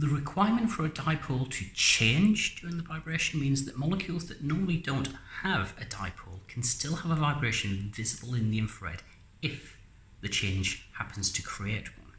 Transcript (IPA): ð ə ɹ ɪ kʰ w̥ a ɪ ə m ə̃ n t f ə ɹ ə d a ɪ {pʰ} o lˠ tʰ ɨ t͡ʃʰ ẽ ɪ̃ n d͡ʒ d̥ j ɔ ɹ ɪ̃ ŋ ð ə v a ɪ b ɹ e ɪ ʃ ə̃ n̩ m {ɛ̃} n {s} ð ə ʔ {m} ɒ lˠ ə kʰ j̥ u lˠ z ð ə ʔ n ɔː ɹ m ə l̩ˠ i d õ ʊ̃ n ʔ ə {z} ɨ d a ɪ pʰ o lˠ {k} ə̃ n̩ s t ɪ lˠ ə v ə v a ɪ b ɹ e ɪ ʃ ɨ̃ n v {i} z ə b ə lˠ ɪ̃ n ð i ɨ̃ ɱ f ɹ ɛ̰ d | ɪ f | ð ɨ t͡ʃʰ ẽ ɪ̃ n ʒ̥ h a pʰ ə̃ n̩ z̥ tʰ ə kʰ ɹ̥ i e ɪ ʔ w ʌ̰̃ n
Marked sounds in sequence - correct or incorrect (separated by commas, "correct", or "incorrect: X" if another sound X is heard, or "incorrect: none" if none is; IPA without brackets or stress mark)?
correct, incorrect: ĩ, incorrect: z, correct, incorrect: v, incorrect: kʰ, incorrect: ɪ